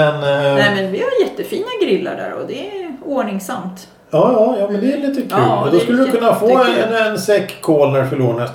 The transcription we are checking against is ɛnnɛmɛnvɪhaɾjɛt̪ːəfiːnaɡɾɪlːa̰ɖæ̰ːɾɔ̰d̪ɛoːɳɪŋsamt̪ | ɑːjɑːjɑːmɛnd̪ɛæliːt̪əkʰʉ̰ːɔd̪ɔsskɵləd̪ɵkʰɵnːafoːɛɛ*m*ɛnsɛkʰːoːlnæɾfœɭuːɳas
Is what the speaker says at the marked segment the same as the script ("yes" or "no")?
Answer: no